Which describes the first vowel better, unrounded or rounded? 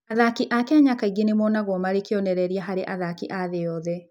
unrounded